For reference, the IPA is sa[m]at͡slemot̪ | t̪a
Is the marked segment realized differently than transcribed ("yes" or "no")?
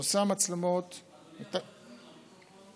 no